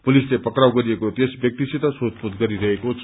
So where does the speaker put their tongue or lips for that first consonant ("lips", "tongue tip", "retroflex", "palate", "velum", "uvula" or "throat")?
lips